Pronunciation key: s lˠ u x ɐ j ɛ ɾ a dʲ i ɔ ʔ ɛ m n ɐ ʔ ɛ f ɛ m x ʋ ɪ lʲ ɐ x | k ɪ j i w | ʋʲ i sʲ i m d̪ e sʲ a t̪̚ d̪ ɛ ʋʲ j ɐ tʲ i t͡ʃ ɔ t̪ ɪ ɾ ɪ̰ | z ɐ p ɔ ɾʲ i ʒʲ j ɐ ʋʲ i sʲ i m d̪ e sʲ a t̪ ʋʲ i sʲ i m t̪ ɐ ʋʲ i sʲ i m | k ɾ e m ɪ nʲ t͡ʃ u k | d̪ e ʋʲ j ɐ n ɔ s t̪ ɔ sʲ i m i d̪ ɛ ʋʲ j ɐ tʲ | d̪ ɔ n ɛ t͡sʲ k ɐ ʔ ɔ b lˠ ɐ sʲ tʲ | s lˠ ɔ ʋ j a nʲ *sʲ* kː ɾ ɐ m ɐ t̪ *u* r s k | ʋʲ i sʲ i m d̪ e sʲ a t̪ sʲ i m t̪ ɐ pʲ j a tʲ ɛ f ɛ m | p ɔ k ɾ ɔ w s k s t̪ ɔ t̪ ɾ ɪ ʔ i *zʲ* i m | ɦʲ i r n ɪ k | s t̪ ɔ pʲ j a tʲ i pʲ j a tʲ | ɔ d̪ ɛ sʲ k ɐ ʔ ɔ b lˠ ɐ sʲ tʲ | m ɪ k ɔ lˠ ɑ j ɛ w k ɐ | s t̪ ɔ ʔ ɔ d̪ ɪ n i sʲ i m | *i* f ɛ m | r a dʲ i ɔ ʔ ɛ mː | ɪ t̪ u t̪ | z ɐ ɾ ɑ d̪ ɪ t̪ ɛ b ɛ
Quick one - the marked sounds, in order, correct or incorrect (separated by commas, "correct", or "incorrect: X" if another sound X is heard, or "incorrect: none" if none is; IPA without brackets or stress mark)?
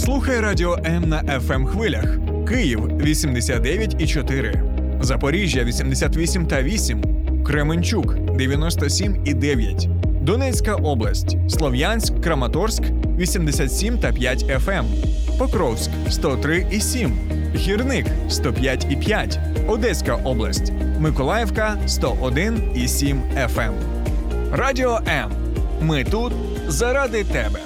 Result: correct, incorrect: ɔ, incorrect: sʲ, incorrect: ɛ